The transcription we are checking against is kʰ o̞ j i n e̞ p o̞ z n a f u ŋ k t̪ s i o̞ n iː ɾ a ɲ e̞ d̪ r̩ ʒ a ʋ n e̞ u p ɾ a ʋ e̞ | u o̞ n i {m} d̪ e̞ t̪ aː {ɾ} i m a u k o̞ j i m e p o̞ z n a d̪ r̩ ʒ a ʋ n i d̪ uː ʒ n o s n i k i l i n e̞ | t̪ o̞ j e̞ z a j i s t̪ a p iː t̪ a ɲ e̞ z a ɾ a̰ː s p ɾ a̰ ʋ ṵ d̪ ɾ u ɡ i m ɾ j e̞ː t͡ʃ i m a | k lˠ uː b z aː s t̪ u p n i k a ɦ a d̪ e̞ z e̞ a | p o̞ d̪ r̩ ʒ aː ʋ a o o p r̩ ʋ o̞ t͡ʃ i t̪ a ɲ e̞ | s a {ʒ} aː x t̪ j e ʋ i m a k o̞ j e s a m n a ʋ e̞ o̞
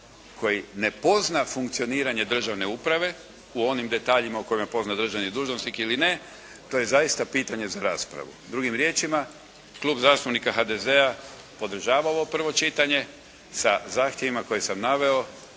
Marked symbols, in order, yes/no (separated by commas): yes, no, no